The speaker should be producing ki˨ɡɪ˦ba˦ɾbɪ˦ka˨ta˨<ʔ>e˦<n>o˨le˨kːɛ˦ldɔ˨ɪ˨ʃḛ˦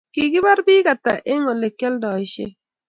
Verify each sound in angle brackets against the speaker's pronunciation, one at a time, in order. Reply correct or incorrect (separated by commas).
correct, incorrect